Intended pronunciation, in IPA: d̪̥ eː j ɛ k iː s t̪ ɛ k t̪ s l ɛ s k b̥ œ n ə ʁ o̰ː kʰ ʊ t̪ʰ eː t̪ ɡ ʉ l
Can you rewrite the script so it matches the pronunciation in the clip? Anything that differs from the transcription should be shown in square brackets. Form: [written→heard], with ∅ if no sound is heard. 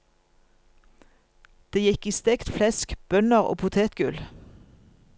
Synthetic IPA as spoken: d̪̥ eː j ɛ k iː s t̪ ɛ k t̪ [s→f] l ɛ s k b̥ œ n ə ʁ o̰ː [kʰ→pʰ] ʊ t̪ʰ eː t̪ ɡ ʉ l